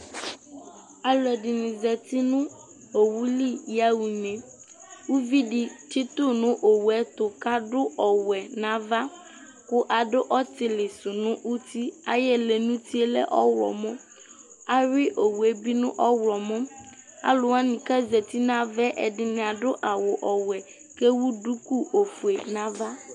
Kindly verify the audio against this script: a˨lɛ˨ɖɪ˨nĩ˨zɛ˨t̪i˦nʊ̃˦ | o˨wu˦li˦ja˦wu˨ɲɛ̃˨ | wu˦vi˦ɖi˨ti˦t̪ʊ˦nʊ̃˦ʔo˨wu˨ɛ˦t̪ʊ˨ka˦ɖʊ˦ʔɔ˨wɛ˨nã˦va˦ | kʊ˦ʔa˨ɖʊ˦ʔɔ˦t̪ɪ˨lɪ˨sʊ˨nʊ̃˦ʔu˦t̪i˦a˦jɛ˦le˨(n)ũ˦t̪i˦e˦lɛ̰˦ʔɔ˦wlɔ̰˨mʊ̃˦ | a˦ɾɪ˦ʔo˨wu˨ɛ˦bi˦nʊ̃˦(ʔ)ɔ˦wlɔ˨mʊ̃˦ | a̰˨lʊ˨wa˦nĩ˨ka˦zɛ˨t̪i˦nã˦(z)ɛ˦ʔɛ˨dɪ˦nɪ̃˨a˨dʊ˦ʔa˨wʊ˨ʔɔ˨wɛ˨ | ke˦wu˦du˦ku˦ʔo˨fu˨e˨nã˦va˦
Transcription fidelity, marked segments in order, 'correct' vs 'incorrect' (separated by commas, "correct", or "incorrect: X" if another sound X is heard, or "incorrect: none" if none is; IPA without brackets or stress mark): correct, correct, incorrect: v